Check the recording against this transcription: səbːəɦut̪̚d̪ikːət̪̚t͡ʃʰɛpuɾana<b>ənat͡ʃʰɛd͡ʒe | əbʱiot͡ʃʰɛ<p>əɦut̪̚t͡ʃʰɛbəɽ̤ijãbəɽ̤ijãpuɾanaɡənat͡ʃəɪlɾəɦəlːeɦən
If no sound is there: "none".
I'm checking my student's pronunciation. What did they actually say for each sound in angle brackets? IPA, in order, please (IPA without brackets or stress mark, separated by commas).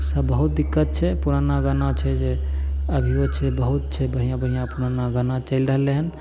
ɡ, b